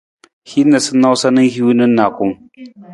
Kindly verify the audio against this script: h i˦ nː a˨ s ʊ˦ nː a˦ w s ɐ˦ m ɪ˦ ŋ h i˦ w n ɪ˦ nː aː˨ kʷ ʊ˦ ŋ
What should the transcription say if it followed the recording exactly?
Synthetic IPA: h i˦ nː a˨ s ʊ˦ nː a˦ w s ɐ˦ n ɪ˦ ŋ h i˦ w n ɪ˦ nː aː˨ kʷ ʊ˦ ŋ